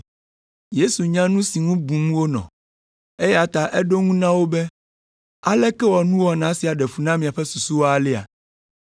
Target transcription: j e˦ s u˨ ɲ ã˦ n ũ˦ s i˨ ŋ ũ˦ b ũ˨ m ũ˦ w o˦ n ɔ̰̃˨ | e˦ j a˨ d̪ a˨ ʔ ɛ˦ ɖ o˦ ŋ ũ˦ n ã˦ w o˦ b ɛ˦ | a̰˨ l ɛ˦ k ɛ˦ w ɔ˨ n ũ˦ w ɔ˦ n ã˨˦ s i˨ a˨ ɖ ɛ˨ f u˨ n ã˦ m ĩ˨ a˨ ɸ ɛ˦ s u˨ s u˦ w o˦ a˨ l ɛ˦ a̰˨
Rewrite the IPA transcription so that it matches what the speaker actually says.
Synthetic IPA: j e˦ s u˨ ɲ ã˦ n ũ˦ s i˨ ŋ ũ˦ b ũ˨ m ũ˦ w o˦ n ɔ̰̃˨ | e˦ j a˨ t̪ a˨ ʔ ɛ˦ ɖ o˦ ŋ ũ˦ n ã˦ w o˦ b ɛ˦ | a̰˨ l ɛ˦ k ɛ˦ w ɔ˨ n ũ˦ w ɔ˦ n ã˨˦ s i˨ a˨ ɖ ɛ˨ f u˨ n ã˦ m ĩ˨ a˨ ɸ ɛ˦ s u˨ s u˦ w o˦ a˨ l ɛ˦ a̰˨